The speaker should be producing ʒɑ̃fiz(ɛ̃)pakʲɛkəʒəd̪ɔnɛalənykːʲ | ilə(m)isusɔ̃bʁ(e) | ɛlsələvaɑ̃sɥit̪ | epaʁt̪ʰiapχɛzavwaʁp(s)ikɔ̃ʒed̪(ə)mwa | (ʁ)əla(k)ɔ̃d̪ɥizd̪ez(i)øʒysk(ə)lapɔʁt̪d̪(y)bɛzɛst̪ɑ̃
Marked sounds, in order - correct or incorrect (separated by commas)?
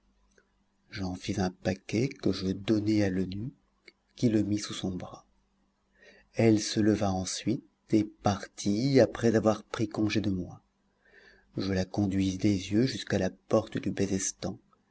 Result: correct, correct, incorrect, incorrect, correct, incorrect, correct, incorrect, incorrect, correct